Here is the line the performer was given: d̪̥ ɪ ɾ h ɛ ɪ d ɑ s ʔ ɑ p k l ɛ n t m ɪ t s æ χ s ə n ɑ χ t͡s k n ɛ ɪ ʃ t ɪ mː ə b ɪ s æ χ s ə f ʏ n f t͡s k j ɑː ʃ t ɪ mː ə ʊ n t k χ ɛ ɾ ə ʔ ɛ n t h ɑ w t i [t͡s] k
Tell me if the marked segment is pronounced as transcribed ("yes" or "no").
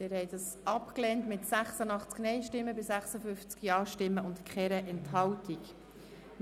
no